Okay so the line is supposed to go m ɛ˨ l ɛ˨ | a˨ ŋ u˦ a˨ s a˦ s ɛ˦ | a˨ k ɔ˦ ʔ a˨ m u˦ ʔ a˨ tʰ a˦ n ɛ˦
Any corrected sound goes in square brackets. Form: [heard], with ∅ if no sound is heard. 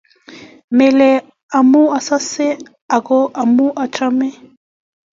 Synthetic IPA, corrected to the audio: m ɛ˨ l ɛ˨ | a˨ [m] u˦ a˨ s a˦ s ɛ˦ | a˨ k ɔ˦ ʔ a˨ m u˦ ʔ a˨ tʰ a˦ [m] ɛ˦